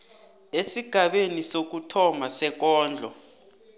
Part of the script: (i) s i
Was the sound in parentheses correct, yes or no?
no